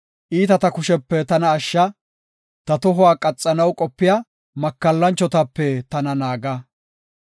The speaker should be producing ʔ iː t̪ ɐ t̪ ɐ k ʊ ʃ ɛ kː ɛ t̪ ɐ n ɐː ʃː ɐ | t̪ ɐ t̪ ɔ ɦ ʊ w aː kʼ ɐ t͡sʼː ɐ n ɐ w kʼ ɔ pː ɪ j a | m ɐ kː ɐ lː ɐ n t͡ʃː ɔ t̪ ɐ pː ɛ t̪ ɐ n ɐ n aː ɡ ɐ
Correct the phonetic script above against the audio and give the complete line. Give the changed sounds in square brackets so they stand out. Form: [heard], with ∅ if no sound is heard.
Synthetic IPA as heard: ʔ iː t̪ ɐ t̪ ɐ k ʊ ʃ ɛ [pː] ɛ t̪ ɐ n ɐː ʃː ɐ | t̪ ɐ t̪ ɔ ɦ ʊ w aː kʼ ɐ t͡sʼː ɐ n ɐ w kʼ ɔ pː ɪ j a | m ɐ kː ɐ lː ɐ n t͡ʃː ɔ t̪ ɐ pː ɛ t̪ ɐ n ɐ n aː ɡ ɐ

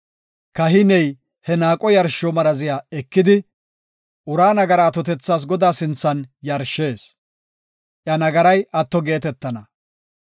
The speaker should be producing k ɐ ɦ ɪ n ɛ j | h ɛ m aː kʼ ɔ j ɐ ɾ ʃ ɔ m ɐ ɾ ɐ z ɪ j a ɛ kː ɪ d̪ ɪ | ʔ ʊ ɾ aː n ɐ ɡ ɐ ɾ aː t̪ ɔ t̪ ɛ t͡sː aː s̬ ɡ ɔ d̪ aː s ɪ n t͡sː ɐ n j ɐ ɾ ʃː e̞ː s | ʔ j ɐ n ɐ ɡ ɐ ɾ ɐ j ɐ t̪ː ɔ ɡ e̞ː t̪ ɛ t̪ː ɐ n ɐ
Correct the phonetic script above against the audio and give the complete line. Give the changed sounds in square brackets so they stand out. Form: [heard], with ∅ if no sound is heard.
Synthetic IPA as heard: k ɐ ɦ ɪ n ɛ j | h ɛ [n] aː kʼ ɔ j ɐ ɾ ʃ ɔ m ɐ ɾ ɐ z ɪ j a ɛ kː ɪ d̪ ɪ | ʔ ʊ ɾ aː n ɐ ɡ ɐ ɾ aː t̪ ɔ t̪ ɛ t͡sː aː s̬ ɡ ɔ d̪ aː s ɪ n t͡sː ɐ n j ɐ ɾ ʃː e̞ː s | ʔ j ɐ n ɐ ɡ ɐ ɾ ɐ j ɐ t̪ː ɔ ɡ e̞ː t̪ ɛ t̪ː ɐ n ɐ

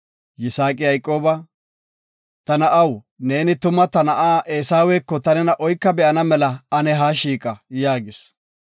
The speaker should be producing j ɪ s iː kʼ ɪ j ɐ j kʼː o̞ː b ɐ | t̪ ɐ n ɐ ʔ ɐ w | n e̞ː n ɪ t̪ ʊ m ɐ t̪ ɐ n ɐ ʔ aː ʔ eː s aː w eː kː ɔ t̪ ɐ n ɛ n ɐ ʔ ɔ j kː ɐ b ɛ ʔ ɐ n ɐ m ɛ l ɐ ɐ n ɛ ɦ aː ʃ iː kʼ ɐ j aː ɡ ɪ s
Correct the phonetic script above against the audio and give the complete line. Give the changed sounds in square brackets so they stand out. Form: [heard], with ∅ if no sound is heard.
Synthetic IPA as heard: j ɪ s [aː] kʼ ɪ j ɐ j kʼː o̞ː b ɐ | t̪ ɐ n ɐ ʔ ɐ w | n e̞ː n ɪ t̪ ʊ m ɐ t̪ ɐ n ɐ ʔ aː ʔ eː s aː w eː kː ɔ t̪ ɐ n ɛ n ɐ ʔ ɔ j kː ɐ b ɛ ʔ ɐ n ɐ m ɛ l ɐ ɐ n ɛ ɦ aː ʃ iː kʼ ɐ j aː ɡ ɪ s

